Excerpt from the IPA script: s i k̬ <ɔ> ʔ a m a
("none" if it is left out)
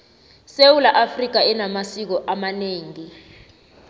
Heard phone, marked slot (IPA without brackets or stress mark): ɔ